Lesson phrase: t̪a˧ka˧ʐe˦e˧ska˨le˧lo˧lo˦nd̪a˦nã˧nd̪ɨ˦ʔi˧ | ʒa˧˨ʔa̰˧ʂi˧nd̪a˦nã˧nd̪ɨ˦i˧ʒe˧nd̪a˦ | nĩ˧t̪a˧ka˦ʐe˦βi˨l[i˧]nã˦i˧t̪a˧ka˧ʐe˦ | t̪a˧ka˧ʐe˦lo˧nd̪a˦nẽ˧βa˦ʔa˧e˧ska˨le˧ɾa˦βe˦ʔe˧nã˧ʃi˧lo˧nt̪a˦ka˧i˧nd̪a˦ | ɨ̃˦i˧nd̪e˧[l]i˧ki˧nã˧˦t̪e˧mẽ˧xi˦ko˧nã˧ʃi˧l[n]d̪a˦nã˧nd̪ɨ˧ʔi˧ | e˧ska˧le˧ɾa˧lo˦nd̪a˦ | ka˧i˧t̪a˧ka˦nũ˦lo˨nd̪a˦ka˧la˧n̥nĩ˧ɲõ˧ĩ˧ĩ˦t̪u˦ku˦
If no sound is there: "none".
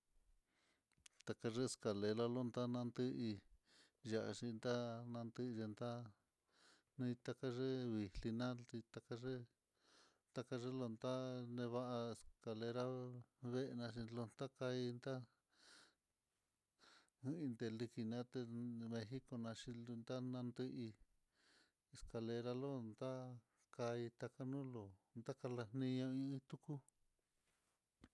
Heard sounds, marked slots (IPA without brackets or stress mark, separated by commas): i˧, l, n